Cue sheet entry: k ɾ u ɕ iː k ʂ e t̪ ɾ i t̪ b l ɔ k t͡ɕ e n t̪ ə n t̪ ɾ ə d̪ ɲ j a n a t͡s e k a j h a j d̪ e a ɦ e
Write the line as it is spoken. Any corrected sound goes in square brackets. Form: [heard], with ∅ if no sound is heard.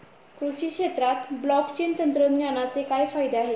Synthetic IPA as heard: k ɾ u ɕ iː k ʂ e t̪ ɾ [a] t̪ b l ɔ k t͡ɕ e n t̪ ə n t̪ ɾ ə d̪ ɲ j a n a t͡s e k a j [f] a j d̪ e a ɦ e